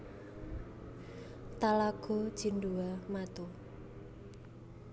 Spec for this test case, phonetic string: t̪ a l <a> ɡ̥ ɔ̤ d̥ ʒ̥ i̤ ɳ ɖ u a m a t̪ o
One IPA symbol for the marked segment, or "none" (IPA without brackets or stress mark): a